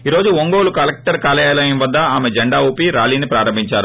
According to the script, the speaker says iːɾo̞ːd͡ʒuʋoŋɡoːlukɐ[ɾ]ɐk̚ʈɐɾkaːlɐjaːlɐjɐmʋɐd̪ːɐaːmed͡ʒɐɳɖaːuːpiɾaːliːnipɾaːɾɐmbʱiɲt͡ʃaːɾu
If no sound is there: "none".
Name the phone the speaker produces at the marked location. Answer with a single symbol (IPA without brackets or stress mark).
l